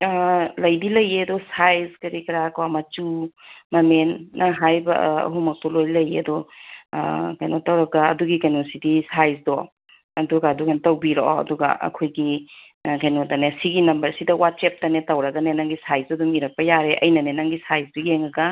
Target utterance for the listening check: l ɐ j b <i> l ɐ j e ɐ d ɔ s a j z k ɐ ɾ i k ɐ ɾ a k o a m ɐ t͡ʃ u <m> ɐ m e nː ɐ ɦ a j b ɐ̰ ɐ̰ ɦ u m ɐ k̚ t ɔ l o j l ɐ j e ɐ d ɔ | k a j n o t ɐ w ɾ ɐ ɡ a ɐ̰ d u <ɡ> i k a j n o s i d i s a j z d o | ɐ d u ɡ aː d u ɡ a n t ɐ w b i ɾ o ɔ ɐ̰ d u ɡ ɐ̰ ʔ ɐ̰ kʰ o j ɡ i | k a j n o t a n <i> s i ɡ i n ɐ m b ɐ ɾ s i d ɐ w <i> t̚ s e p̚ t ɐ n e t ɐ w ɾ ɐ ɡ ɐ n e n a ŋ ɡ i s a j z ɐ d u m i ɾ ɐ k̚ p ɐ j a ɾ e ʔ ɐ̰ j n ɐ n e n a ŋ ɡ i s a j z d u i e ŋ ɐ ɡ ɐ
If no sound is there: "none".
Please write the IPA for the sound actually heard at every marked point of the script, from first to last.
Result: i, m, ɡ, e, a

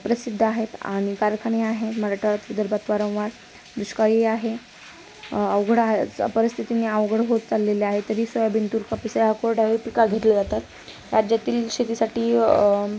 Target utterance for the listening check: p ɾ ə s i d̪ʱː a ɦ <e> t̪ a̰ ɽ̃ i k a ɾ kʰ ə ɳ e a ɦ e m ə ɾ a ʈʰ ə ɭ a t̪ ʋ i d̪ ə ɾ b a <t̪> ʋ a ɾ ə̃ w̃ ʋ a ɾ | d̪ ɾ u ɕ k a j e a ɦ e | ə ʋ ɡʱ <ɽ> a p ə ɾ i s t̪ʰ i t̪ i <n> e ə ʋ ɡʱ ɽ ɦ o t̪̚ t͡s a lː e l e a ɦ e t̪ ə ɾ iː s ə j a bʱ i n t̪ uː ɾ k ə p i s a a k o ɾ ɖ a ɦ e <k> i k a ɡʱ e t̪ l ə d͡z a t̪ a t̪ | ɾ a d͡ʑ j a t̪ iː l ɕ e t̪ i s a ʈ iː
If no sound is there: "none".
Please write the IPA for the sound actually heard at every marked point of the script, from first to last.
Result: e, t̪, ɽ, n, p

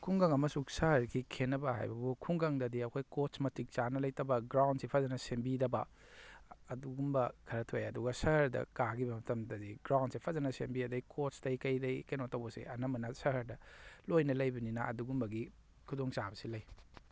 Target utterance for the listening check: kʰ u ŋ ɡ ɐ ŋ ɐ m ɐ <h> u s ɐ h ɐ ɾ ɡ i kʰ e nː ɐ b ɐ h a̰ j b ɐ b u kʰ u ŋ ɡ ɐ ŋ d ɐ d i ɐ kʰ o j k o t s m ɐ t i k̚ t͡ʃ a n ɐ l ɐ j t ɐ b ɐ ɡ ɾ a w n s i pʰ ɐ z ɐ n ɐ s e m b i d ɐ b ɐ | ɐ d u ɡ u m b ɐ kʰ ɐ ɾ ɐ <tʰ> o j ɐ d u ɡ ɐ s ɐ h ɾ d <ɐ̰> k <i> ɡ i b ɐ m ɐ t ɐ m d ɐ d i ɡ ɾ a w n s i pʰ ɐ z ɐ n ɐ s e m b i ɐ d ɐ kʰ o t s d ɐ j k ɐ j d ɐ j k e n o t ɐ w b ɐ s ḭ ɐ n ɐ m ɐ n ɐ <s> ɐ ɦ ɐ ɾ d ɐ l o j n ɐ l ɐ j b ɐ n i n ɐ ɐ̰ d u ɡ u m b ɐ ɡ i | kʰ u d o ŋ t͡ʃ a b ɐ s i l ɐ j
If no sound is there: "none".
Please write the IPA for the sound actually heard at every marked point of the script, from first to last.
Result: s, tʰ, ɐ̰, a, s

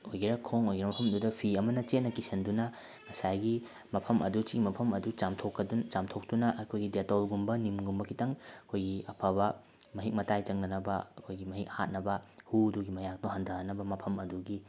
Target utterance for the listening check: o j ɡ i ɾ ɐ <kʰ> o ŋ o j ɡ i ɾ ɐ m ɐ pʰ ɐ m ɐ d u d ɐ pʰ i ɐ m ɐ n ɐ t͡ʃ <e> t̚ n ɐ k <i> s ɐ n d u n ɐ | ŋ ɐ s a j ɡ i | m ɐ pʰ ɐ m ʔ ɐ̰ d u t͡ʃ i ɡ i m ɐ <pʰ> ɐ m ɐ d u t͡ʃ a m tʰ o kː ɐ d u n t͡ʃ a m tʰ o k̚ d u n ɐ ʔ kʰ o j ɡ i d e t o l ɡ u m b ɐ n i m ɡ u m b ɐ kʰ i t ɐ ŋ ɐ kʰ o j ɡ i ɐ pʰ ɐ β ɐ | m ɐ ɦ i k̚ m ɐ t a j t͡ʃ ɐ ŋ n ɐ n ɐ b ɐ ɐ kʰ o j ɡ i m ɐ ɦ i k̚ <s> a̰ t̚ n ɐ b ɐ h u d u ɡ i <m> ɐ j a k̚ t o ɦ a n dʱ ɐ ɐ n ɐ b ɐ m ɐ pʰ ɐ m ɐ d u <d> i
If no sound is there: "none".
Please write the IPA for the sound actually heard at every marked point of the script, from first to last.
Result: kʰ, e, i, pʰ, h, m, ɡ

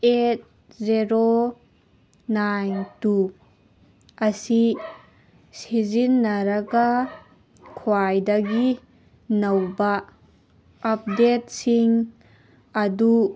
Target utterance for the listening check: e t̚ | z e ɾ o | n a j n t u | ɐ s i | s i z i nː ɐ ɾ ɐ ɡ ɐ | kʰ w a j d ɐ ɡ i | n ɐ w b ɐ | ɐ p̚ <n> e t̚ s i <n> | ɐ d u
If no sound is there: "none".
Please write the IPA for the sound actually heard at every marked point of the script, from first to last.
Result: d, ŋ

